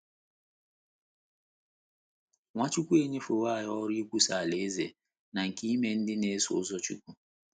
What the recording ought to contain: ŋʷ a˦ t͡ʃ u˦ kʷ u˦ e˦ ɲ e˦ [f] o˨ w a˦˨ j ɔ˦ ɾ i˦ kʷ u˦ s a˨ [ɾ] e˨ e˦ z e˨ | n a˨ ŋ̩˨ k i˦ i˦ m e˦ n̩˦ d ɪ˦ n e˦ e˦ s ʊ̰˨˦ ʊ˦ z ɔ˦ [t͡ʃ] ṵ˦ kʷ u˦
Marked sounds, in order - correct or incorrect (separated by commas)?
correct, incorrect, correct